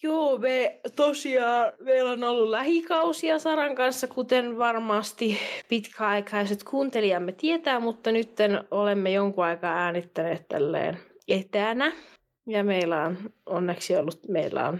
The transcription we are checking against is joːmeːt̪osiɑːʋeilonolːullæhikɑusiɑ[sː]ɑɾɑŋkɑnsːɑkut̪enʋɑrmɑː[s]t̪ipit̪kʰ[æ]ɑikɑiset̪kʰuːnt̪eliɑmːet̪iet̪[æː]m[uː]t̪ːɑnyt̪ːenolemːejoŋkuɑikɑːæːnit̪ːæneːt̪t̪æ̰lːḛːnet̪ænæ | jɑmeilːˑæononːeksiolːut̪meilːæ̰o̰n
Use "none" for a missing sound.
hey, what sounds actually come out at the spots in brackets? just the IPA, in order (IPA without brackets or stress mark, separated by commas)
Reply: s, s, æ, æː, u